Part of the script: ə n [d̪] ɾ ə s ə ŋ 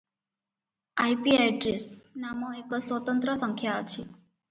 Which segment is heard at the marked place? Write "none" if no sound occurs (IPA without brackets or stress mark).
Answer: t̪